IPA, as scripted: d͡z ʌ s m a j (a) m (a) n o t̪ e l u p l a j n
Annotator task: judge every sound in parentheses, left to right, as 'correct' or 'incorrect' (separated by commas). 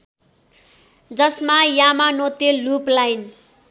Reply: correct, correct